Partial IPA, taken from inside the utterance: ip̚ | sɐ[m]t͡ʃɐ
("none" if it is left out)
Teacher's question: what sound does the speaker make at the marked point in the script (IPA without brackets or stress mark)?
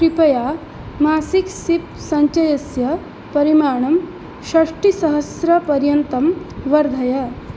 ɲ